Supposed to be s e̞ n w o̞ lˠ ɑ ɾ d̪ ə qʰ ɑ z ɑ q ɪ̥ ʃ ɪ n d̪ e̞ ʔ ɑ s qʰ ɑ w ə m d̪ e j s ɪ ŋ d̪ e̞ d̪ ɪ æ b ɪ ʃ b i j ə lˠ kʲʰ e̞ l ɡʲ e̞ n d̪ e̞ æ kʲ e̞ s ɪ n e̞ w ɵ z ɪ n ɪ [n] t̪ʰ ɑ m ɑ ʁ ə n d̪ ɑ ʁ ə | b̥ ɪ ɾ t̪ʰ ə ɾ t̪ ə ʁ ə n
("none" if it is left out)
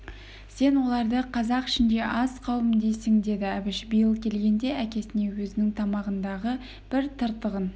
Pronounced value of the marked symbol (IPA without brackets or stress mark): ŋ